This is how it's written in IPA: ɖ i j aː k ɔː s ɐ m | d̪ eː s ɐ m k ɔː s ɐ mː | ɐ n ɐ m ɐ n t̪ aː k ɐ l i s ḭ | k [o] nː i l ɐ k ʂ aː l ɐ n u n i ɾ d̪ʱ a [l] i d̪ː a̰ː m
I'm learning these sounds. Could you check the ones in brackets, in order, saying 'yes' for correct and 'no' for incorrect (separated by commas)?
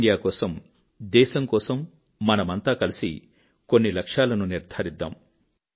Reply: yes, no